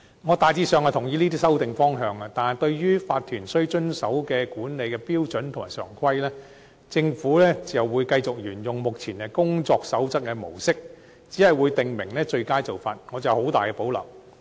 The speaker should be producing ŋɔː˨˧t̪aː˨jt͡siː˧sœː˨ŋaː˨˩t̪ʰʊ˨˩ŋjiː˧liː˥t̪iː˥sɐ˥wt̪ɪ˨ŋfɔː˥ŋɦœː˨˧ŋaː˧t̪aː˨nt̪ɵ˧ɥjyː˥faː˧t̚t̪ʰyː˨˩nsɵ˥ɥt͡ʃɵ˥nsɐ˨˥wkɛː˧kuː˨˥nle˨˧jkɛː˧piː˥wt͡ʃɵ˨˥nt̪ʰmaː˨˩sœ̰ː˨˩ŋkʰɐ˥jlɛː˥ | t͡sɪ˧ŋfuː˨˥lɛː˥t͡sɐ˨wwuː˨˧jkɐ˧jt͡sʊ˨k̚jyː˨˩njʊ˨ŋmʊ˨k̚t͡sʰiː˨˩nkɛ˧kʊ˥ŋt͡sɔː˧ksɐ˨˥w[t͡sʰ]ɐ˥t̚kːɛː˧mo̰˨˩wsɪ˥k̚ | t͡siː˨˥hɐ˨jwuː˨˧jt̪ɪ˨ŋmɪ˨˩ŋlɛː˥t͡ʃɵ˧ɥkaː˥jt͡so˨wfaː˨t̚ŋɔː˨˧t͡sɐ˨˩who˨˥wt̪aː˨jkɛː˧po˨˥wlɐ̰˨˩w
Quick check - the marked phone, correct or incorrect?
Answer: incorrect: t͡s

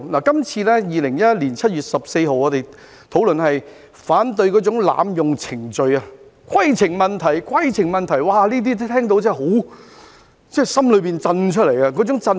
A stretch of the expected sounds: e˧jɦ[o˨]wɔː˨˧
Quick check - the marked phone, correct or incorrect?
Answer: correct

